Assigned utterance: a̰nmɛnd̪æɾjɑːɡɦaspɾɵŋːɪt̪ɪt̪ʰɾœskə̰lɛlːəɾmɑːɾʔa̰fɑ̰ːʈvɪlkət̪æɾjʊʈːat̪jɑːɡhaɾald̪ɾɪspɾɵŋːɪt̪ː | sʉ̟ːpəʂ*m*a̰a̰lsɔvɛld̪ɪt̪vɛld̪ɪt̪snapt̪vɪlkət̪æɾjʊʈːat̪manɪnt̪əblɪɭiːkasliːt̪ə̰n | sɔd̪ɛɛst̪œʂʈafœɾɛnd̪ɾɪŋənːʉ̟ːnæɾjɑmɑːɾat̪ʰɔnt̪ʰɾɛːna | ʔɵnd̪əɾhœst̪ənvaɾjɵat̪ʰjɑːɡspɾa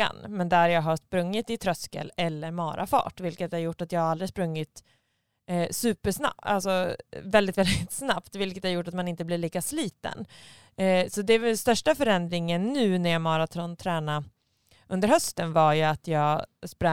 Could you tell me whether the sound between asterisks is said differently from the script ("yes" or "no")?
yes